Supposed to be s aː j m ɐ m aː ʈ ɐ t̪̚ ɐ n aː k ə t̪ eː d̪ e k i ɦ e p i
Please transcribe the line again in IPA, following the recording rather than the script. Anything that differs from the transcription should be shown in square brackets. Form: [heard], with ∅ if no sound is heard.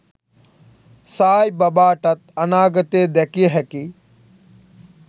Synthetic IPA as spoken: s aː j [b] ɐ [b] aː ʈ ɐ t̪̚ ɐ n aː [ɡ] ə t̪ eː d̪ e k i ɦ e [k] i